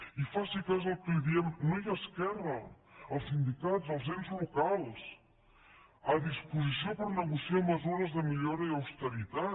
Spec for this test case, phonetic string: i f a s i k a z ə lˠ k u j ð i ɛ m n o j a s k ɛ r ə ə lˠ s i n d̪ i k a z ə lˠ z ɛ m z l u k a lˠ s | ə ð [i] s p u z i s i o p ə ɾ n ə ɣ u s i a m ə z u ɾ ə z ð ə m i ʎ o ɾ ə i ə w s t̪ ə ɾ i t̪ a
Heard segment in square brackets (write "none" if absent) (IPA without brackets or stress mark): i